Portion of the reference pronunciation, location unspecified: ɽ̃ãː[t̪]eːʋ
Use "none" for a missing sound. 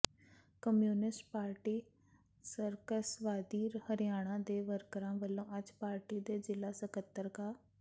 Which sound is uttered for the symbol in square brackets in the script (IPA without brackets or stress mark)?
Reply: d̪